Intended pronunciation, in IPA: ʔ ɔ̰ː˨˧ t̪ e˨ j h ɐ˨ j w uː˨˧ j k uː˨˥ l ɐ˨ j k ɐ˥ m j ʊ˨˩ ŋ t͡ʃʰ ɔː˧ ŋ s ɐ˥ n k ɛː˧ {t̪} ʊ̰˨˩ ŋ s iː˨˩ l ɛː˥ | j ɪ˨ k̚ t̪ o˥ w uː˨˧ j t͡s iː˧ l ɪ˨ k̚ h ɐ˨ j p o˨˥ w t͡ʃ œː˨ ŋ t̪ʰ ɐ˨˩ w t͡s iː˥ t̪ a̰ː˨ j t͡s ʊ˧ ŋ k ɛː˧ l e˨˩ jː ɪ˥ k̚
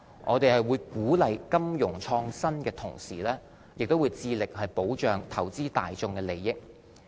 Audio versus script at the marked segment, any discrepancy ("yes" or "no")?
yes